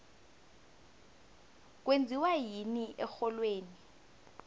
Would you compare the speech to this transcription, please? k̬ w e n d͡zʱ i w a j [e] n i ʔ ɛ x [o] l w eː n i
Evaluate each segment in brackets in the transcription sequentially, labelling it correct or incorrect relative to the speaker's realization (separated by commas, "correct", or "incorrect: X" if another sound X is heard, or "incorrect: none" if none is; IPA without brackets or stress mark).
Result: incorrect: i, incorrect: ɔ